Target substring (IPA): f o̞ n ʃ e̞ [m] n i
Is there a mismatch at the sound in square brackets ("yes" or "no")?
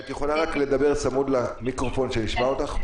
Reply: yes